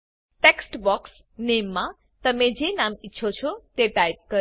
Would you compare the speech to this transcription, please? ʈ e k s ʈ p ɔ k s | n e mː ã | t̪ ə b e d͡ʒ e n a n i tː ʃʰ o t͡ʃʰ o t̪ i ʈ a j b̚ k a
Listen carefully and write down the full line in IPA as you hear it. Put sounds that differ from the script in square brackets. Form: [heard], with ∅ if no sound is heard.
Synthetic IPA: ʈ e k s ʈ [b] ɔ k s | n e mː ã | t̪ ə [m] e d͡ʒ e n a [m] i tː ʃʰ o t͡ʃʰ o t̪ [e] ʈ a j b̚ k [ə]